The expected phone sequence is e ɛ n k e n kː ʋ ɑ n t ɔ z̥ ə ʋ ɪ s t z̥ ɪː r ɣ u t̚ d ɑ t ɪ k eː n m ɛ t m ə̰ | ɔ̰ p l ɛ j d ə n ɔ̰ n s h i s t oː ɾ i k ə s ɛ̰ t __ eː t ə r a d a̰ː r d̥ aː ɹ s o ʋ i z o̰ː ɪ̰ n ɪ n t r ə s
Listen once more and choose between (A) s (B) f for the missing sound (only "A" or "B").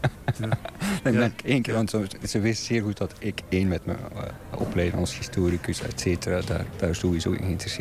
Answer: A